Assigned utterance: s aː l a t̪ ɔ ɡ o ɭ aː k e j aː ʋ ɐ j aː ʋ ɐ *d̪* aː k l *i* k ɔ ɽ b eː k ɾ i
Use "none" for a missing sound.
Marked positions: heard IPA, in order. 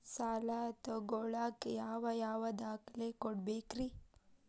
d̪, e

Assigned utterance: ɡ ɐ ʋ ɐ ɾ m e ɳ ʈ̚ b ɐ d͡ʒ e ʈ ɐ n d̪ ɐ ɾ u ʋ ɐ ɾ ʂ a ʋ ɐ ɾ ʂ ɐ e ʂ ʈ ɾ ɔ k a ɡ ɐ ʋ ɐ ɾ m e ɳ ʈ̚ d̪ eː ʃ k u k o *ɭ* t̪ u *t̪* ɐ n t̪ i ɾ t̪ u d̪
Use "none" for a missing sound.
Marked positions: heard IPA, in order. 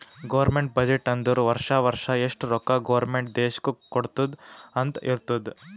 ɽ, d̪

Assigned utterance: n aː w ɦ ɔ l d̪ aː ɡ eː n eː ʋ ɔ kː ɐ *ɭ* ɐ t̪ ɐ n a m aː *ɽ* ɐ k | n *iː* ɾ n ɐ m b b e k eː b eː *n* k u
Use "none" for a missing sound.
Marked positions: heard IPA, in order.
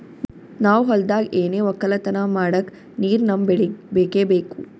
l, ɽ, iː, none

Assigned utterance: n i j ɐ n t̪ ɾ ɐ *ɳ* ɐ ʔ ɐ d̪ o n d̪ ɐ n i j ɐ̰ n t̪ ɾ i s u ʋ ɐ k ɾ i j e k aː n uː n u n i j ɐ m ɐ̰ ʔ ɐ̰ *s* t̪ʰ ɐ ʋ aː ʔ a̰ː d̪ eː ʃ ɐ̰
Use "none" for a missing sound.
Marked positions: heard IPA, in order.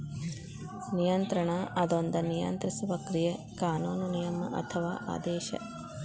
ɳ, none

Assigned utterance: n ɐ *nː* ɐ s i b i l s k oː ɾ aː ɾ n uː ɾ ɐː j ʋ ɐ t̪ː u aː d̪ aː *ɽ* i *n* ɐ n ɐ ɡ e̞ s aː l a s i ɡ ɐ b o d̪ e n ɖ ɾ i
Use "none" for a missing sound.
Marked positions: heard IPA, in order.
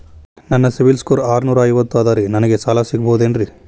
nː, ɾ, n

